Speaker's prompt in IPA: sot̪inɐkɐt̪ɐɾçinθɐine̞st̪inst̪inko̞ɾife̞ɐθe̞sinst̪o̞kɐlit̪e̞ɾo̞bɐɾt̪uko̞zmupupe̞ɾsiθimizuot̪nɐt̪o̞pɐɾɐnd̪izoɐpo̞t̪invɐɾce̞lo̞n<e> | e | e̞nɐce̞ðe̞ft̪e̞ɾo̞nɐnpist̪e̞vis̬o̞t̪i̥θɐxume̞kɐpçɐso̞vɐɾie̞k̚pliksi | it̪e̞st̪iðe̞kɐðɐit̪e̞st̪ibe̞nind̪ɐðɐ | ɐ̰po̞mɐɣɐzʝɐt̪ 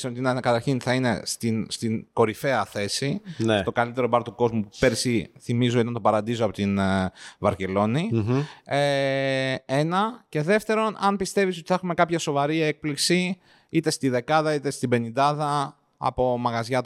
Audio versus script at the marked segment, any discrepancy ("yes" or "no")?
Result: yes